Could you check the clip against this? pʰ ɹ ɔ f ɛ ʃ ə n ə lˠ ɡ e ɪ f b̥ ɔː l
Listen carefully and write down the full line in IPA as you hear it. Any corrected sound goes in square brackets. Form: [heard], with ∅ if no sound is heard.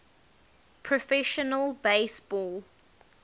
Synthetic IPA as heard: pʰ ɹ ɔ f ɛ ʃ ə n ə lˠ [b] e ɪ [s] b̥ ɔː l